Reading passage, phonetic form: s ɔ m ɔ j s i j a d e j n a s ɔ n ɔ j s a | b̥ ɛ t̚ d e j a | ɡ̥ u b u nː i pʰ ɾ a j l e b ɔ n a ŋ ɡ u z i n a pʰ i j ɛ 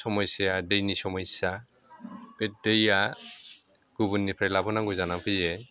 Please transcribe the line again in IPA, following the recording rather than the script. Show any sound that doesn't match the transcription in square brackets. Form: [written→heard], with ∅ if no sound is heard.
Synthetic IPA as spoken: s ɔ m ɔ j s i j a d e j n [a→i] s ɔ [n→m] ɔ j s a | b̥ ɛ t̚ d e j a | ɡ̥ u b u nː i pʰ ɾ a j l [e→a] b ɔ n a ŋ ɡ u z [i→a] n a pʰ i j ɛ

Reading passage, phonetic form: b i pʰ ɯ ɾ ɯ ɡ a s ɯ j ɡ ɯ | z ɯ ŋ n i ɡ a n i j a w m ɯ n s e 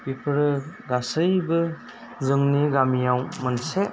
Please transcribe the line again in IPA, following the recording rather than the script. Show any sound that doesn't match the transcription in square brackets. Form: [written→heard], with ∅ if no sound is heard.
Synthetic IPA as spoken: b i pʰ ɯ ɾ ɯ ɡ a s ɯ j [ɡ→b] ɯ | z ɯ ŋ n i ɡ a [n→m] i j a w m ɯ n s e

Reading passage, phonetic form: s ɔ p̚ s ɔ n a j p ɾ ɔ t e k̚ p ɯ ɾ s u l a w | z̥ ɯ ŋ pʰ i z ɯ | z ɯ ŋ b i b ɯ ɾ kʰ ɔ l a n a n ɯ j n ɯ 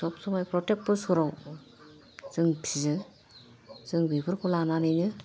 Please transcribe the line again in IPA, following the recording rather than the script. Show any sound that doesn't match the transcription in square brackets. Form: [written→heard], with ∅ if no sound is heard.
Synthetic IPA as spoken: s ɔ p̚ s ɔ [n→m] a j p ɾ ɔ t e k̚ p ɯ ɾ s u [l→ɾ] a w | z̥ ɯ ŋ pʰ i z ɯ | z ɯ ŋ b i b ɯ ɾ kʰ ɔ l a n a n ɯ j n ɯ

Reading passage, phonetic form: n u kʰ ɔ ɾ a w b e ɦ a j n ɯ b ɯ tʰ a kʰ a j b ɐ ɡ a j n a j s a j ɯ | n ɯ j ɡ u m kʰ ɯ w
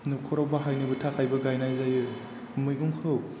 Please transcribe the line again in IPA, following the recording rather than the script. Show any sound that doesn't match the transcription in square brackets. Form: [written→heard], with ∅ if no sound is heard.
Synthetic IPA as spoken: n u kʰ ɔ ɾ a w b [e→a] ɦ a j n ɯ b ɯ tʰ a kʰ a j b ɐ ɡ a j n a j [s→z] a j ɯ | [n→m] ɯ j ɡ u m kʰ ɯ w

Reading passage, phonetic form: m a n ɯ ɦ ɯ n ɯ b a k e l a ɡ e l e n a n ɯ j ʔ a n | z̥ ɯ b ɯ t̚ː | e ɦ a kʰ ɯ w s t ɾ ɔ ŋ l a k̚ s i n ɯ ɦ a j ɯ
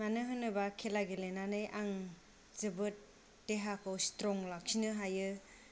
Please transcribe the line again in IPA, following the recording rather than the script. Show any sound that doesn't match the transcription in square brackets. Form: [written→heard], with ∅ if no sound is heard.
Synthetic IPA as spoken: m a n ɯ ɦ ɯ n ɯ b a [k→kʰ] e l a ɡ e l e n a n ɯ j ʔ a [n→ŋ] | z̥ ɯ b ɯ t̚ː | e ɦ a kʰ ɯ w s t ɾ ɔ ŋ l a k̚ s i n ɯ ɦ a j ɯ

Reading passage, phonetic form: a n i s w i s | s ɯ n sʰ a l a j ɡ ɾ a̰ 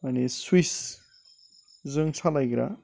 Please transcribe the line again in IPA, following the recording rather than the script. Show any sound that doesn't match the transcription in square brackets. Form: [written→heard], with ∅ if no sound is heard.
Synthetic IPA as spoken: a n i s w i s | [s→z] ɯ [n→ŋ] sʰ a l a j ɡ ɾ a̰

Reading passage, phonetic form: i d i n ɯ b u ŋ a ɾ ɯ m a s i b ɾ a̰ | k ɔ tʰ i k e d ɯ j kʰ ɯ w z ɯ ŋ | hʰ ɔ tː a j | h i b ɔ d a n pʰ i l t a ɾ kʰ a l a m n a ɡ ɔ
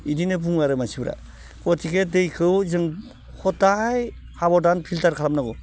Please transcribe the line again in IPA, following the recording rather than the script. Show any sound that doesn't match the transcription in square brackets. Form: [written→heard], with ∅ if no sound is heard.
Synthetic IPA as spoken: i d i n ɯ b u ŋ a ɾ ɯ m a s i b ɾ a̰ | k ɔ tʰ i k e d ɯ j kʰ ɯ w z ɯ ŋ | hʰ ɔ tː a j | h [i→a] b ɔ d a n pʰ i l t a ɾ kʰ a l a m n a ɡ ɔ

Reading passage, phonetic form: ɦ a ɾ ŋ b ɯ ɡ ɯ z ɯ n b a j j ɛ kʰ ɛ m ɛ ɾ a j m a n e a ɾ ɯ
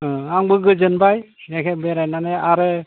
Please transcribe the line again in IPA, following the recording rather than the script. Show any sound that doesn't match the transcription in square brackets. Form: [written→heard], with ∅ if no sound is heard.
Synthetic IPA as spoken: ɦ a [ɾ→∅] ŋ b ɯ ɡ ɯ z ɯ n b a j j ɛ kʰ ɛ [m→b] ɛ ɾ a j [m→n] a n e a ɾ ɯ

